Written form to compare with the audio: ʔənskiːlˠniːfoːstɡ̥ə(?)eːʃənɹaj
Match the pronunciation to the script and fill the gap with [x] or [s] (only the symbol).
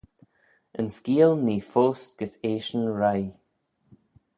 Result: s